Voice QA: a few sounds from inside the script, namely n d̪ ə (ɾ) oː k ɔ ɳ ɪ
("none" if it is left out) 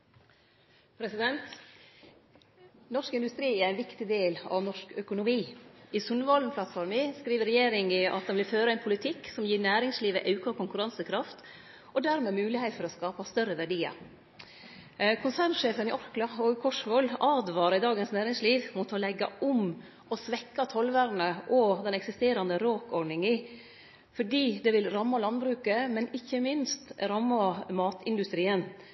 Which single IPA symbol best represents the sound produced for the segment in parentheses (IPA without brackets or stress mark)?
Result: ɾ